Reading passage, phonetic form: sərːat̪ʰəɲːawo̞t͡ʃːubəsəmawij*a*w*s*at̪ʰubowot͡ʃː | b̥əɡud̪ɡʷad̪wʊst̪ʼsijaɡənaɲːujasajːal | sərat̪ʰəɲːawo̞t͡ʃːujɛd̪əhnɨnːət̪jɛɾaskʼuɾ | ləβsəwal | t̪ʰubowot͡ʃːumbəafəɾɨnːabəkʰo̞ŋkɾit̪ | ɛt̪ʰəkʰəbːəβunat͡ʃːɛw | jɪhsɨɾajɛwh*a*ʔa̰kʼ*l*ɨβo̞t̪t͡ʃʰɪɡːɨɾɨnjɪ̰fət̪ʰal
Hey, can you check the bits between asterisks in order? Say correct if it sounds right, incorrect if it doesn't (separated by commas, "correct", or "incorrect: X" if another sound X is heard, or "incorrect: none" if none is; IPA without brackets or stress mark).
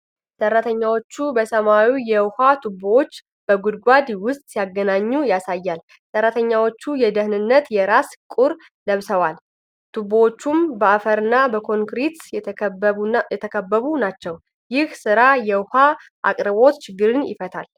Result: incorrect: ɛ, incorrect: h, correct, incorrect: ɾ